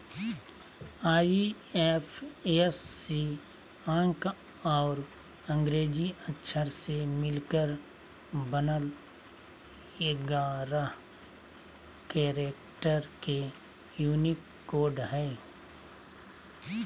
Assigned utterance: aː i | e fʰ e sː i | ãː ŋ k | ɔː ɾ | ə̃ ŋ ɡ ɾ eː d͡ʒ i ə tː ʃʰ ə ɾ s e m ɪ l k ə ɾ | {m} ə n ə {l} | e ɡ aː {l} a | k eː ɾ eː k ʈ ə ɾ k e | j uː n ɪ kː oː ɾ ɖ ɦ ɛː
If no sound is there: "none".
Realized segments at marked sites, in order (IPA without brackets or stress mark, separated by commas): b, l, ɾ